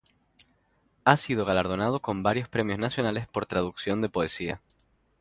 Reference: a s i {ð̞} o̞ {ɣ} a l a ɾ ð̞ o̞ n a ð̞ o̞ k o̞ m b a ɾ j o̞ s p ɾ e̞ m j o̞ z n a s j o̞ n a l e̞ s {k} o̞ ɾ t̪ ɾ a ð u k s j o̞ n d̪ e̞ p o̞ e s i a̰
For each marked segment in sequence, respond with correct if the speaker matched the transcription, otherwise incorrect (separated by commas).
correct, correct, incorrect